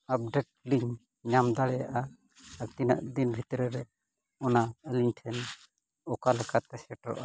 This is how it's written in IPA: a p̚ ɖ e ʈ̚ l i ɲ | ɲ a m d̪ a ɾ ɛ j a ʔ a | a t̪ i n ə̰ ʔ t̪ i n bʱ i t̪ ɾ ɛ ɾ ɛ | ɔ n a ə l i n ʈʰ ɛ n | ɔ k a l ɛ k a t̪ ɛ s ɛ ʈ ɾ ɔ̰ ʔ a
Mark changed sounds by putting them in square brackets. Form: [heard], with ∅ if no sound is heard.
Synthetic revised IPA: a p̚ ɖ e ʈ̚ l i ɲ | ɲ a m d̪ a [ɽ] ɛ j a ʔ a | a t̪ i n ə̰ ʔ [d̪] i n bʱ i t̪ ɾ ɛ ɾ ɛ | ɔ n a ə l i [ɲ] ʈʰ ɛ n | ɔ k a l ɛ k a t̪ ɛ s ɛ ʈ ɾ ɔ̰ ʔ a